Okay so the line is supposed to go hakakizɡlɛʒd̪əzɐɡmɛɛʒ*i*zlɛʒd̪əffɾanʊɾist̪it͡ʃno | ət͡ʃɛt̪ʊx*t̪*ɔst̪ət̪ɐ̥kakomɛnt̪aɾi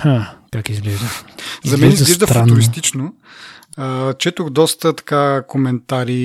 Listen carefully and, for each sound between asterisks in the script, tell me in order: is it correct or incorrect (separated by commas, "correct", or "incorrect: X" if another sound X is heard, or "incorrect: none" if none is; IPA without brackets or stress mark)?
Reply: correct, incorrect: d̪